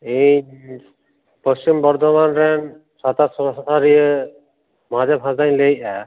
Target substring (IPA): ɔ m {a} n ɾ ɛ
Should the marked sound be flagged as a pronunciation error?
no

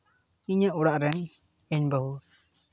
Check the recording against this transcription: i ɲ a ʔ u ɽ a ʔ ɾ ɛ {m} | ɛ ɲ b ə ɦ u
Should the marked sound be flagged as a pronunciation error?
yes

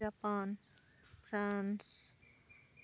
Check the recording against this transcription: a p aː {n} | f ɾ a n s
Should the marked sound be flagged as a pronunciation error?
no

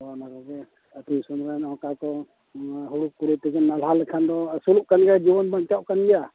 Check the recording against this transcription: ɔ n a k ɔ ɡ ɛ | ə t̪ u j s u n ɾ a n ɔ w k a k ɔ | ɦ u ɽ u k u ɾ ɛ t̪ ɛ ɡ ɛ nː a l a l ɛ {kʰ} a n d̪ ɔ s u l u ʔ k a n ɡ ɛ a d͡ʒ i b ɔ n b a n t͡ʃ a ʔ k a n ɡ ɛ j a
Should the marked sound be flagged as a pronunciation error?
no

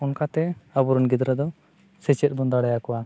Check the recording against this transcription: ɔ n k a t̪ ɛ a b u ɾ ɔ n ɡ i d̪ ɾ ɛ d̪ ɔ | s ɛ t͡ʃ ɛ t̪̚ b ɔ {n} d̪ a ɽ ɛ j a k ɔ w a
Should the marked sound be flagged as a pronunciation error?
no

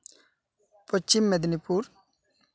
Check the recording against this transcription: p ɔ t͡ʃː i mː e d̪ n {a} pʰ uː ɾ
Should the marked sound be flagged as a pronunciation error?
yes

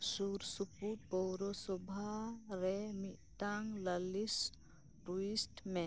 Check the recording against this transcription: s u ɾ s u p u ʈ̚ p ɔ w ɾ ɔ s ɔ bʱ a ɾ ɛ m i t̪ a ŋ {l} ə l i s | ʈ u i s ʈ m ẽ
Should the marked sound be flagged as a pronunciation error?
no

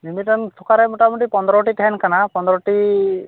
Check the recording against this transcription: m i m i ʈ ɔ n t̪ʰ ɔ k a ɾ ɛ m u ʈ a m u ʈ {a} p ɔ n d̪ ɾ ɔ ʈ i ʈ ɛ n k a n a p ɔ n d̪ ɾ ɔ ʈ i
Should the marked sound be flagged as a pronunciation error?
yes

